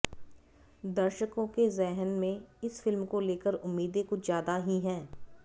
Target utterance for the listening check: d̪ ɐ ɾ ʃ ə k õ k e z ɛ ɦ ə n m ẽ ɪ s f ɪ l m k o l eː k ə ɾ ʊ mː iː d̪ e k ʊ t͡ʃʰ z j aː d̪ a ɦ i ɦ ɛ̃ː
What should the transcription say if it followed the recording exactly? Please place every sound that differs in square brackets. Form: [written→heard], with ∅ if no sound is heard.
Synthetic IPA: d̪ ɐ ɾ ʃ ə k õ k e z ɛ ɦ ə n m ẽ ɪ s f ɪ l m k o l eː k ə ɾ ʊ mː iː d̪ e k ʊ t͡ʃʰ z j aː d̪ a ɦ i ɦ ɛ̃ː